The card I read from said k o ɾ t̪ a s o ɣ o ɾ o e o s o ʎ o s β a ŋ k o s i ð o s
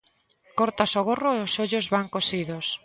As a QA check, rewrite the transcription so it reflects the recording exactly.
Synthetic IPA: k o ɾ t̪ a s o ɣ o r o e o s o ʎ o z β a ŋ k o s i ð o s